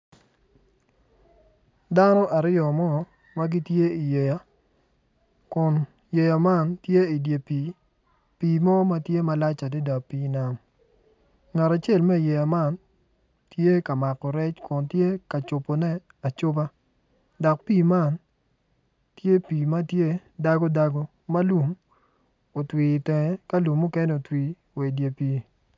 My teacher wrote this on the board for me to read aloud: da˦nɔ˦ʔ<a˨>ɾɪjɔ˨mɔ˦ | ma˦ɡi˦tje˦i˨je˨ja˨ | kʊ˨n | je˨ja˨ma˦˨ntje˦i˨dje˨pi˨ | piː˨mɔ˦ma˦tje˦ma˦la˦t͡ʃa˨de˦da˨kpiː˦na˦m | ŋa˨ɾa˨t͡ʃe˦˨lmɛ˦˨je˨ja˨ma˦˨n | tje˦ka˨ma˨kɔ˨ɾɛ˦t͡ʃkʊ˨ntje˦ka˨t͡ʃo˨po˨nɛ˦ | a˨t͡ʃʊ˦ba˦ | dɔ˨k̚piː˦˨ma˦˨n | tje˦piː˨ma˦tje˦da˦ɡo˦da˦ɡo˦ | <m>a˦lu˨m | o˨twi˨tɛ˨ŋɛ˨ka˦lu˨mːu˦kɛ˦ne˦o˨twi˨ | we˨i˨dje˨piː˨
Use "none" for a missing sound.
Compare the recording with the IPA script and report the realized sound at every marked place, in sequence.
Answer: a˨, m

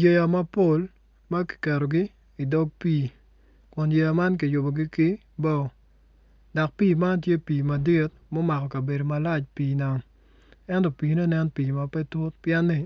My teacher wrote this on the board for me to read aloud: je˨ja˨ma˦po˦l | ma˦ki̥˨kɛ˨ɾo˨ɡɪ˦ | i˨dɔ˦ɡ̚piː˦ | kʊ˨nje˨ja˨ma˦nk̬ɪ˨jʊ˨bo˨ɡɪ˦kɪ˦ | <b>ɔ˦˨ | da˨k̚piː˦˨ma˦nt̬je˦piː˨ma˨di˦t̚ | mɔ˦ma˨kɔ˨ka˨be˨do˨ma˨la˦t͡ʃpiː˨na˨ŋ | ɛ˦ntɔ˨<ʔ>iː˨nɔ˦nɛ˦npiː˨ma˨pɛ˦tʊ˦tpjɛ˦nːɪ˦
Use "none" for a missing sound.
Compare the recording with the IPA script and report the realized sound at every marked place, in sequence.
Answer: b, p

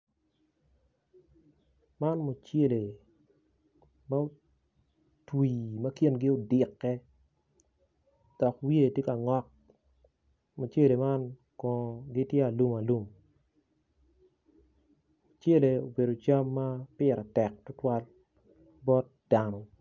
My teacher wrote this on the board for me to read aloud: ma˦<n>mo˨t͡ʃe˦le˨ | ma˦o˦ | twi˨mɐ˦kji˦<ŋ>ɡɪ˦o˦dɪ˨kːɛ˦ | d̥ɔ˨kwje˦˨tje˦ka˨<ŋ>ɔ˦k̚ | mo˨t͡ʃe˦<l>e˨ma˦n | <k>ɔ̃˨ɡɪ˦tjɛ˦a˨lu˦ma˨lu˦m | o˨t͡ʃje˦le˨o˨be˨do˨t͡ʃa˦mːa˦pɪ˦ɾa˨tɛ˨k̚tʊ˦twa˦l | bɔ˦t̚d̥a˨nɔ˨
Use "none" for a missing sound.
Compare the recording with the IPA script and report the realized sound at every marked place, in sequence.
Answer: n, n, ŋ, l, k

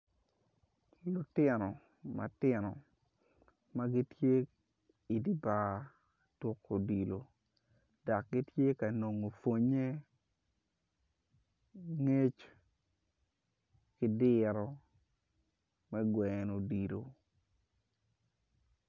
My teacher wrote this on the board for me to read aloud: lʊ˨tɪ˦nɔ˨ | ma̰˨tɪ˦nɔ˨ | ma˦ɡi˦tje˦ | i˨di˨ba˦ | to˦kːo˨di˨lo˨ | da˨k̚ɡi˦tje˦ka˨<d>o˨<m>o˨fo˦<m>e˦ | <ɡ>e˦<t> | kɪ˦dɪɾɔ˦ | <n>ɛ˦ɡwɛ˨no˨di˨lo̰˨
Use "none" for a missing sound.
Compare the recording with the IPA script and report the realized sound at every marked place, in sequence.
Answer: n, ŋ, ɲ, ŋ, t͡ʃ, m

